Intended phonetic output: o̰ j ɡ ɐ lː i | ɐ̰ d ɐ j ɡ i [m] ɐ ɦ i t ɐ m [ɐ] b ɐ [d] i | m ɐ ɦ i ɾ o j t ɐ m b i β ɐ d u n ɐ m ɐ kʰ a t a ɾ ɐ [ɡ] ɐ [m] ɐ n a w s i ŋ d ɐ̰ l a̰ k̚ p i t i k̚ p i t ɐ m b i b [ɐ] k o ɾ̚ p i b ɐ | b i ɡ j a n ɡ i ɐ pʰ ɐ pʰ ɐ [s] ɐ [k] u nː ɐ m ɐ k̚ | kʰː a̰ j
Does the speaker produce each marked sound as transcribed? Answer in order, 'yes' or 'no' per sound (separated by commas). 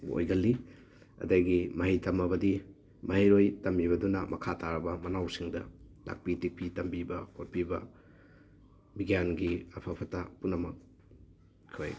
yes, yes, yes, no, yes, yes, no, no